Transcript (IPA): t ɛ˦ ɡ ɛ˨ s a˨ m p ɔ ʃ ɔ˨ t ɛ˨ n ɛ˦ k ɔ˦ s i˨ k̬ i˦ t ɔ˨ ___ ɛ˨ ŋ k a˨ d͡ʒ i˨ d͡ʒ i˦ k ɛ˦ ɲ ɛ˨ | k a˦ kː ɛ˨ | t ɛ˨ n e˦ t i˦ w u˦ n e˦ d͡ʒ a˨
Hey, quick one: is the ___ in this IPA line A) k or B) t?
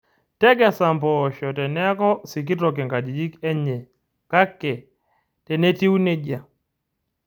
A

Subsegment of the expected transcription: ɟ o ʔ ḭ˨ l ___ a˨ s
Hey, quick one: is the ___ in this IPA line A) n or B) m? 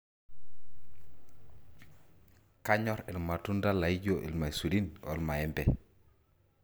B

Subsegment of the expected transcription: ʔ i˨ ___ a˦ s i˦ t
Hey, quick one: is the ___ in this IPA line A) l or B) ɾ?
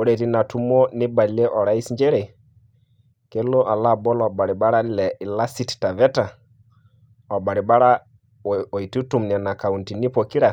A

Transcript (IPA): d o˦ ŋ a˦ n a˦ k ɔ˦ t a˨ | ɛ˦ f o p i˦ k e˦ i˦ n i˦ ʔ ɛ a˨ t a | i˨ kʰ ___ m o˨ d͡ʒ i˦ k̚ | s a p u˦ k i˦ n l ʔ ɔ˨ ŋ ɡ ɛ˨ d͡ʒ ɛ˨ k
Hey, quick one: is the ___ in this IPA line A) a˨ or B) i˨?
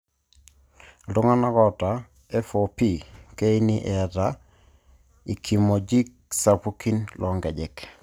B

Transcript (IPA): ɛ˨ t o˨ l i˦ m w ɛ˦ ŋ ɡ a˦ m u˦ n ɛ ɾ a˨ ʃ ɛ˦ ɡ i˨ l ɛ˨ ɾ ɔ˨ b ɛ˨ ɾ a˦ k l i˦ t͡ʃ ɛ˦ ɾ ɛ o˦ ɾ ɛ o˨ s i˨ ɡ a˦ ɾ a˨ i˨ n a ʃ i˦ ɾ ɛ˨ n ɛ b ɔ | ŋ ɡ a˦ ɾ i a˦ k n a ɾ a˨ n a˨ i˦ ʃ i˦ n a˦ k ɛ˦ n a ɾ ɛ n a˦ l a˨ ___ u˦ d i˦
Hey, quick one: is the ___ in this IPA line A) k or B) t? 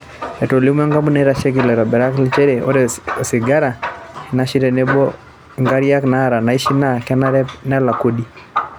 A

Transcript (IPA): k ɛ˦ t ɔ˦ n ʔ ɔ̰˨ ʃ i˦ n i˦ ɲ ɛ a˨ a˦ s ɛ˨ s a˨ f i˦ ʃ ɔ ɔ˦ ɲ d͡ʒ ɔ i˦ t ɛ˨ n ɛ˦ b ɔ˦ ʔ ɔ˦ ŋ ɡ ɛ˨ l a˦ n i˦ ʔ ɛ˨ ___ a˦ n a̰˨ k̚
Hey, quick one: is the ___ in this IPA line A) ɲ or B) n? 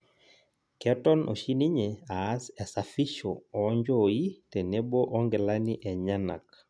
A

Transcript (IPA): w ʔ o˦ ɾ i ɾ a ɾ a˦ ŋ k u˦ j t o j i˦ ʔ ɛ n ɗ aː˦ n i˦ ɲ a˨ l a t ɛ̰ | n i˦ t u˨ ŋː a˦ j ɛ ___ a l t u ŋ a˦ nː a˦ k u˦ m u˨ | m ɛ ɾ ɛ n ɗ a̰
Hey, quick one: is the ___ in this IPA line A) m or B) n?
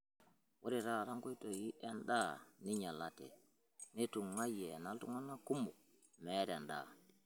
B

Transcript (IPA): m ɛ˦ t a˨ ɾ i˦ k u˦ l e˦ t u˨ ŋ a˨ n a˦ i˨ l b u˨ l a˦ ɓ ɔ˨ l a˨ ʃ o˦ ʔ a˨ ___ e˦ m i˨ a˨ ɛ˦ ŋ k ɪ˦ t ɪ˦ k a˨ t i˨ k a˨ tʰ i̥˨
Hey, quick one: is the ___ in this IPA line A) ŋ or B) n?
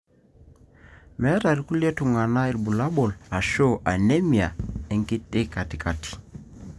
B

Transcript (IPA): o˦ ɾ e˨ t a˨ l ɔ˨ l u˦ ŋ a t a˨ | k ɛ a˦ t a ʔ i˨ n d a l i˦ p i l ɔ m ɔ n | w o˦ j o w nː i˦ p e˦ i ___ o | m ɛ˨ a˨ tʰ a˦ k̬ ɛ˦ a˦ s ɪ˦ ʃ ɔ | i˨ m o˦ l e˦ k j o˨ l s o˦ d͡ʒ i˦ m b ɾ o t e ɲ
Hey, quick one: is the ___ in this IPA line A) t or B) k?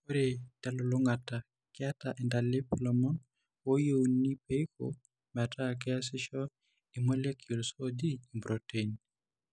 B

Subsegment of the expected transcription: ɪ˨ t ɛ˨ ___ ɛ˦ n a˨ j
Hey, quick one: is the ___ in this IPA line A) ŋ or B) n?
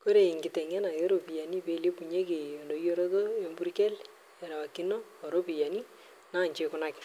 A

